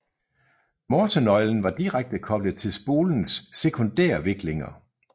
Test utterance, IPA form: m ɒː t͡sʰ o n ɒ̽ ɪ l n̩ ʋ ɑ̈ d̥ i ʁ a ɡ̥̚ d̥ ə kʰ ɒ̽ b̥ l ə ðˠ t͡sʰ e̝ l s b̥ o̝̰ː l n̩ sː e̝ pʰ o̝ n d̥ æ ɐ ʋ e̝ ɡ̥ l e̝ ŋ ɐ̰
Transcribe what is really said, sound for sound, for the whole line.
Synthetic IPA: m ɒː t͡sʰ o n ɒ̽ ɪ l n̩ ʋ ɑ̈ d̥ i ʁ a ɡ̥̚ d̥ ə kʰ ɒ̽ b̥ l ə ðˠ t͡sʰ e̝ l s b̥ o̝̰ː l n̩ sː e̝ kʰ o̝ n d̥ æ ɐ ʋ e̝ ɡ̥ l e̝ ŋ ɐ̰